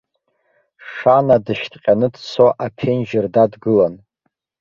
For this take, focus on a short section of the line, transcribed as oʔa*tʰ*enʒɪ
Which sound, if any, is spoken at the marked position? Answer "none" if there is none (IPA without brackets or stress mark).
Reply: pʰ